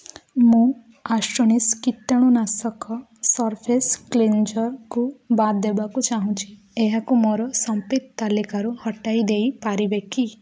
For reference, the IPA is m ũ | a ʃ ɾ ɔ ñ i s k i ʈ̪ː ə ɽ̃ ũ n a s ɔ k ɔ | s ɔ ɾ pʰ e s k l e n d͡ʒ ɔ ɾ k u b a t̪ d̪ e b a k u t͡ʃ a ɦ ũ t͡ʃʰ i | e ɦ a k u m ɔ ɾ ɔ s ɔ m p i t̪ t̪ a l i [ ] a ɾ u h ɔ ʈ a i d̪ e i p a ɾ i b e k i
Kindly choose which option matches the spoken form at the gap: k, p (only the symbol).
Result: k